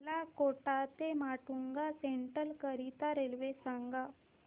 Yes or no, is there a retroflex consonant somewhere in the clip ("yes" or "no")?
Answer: yes